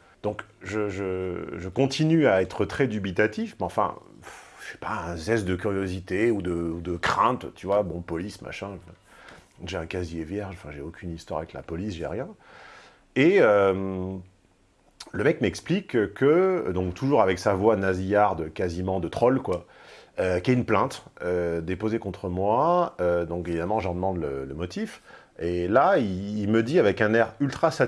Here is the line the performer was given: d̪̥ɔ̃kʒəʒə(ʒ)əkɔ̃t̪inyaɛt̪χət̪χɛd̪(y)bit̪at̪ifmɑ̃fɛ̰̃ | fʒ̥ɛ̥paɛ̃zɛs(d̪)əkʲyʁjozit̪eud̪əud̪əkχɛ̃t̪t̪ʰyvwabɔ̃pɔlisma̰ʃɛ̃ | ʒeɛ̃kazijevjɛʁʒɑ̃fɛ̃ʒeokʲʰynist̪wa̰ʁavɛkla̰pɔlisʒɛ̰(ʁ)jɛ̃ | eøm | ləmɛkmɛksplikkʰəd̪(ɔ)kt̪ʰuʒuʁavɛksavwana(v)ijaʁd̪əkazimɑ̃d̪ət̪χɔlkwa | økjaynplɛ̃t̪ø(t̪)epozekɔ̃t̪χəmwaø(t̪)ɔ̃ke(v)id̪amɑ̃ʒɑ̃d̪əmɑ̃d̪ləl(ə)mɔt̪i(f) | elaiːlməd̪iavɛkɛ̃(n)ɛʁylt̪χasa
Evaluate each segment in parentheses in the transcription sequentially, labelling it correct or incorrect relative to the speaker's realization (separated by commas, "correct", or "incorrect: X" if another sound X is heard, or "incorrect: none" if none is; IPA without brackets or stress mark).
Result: correct, correct, correct, correct, incorrect: ɔ̃, incorrect: z, incorrect: d̪, incorrect: d̪, correct, correct, correct, correct